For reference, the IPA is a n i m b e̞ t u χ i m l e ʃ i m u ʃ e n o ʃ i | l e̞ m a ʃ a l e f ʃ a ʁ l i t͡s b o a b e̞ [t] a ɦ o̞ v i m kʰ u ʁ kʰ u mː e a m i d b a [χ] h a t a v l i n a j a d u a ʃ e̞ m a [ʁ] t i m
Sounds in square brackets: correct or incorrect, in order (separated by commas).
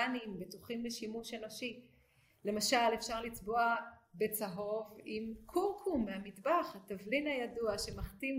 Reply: incorrect, correct, incorrect